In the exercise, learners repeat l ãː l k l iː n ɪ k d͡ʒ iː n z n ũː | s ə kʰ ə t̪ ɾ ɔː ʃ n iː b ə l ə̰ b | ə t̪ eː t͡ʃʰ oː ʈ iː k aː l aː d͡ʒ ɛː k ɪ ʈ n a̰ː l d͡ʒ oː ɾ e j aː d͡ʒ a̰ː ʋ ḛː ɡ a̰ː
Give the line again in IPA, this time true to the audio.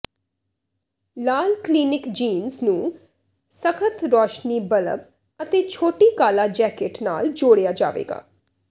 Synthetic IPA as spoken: l aː l k l iː n ɪ k d͡ʒ iː n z n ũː | s ə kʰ ə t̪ ɾ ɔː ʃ n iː b ə l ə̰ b | ə t̪ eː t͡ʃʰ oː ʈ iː k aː l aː d͡ʒ ɛː k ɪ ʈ n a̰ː l d͡ʒ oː ɽ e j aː d͡ʒ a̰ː ʋ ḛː ɡ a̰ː